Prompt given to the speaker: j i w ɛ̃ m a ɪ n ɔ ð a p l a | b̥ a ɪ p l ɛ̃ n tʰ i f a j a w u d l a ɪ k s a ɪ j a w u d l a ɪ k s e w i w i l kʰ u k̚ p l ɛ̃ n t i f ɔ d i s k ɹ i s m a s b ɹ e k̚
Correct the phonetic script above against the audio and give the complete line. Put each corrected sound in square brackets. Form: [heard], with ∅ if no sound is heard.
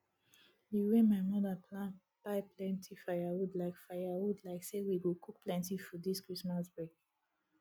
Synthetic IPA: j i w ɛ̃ m a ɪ [m] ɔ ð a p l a | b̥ a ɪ p l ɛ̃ n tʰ i f a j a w u d l a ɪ k [f] a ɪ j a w u d l a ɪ k s e w i w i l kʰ u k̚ p l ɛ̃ n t i f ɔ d i s k ɹ i s m a s b ɹ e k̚